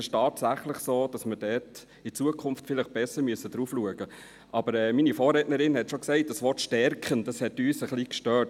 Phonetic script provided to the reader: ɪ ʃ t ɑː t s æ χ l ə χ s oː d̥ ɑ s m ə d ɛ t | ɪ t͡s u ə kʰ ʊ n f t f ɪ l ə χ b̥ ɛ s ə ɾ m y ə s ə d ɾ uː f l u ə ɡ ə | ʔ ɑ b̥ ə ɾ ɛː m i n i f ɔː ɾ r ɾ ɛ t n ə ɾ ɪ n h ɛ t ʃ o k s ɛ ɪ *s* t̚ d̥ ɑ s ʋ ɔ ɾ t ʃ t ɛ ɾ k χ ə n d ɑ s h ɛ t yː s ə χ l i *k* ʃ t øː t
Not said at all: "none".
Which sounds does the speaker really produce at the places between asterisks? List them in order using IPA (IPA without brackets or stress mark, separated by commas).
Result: none, k